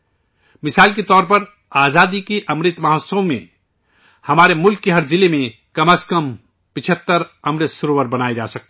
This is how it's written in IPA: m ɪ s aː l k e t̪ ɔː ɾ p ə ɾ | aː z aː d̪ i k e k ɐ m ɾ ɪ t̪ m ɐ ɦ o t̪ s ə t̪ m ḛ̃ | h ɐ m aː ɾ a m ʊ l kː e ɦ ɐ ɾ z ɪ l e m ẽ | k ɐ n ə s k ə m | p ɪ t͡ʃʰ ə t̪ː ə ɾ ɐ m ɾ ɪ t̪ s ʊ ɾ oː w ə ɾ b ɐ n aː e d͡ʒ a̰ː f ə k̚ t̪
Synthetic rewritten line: m ɪ s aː l k e t̪ ɔː ɾ p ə ɾ | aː z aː d̪ i k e ʔ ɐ m ɾ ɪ t̪ m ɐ ɦ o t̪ s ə m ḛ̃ | h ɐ m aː ɾ e m ʊ l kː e ɦ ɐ ɾ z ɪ l e m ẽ | k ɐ m ə s k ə m | p ɪ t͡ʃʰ ə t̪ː ə ɾ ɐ m ɾ ɪ t̪ s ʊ ɾ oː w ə ɾ b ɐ n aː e d͡ʒ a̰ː s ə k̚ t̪